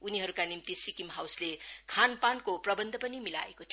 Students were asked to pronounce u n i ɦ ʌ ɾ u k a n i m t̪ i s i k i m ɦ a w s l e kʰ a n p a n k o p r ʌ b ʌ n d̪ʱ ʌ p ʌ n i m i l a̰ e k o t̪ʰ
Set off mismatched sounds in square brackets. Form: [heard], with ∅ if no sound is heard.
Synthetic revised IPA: u n i ɦ ʌ ɾ u k a n i m t̪ i s i k i m ɦ a w s l e kʰ a n p a n k o p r ʌ b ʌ n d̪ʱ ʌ p ʌ n i m i l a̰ e k o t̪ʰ